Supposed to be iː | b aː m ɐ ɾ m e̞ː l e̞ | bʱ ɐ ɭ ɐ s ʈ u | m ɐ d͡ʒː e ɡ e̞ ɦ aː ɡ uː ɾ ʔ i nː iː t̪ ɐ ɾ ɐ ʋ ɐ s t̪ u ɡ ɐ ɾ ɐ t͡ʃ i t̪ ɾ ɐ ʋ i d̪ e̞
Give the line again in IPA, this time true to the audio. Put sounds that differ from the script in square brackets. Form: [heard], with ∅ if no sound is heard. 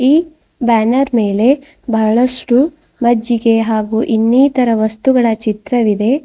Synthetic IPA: iː | b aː [n] ɐ ɾ m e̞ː l e̞ | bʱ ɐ ɭ ɐ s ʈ u | m ɐ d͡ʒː [i] ɡ e̞ ɦ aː ɡ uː [∅] ʔ i nː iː t̪ ɐ ɾ ɐ ʋ ɐ s t̪ u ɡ ɐ [ɭ] ɐ t͡ʃ i t̪ ɾ ɐ ʋ i d̪ e̞

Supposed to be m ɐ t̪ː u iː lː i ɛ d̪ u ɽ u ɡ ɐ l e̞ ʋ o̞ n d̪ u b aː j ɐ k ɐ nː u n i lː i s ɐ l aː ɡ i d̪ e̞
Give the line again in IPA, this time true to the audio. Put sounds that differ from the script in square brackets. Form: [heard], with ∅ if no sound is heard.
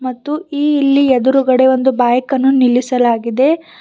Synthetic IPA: m ɐ t̪ː u iː lː i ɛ d̪ u [ɾ] u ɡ ɐ [ɽ] e̞ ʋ o̞ n d̪ u b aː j ɐ k ɐ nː u n i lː i s ɐ l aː ɡ i d̪ e̞

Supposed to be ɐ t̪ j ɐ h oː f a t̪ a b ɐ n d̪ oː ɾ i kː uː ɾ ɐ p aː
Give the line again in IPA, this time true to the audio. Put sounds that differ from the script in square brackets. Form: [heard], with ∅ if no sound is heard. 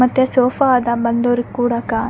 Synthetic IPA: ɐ t̪ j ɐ [s] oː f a [d̪] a b ɐ n d̪ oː ɾ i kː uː [ɽ] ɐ [k] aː

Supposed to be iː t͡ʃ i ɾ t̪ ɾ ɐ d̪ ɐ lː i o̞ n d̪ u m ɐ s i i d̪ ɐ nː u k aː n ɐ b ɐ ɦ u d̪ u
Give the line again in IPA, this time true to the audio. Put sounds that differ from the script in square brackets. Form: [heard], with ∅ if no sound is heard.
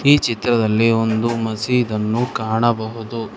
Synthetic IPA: iː t͡ʃ i [∅] t̪ ɾ ɐ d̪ ɐ lː i o̞ n d̪ u m ɐ s i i d̪ ɐ nː u k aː [ɳ] ɐ b ɐ ɦ u d̪ u

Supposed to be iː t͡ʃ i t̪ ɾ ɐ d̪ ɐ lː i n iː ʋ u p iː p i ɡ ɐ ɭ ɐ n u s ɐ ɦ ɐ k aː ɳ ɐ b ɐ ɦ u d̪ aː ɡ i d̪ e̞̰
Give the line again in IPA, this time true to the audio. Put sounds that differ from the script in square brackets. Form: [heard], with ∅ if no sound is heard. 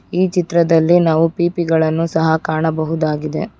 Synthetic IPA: iː t͡ʃ i t̪ ɾ ɐ d̪ ɐ lː i n [aː] ʋ u p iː p i ɡ ɐ ɭ ɐ [nː] u s ɐ ɦ ɐ k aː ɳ ɐ b ɐ ɦ u d̪ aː ɡ i d̪ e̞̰

